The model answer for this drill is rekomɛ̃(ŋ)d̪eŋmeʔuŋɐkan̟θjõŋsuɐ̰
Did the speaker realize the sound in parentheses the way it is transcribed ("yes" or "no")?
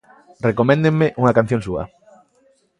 no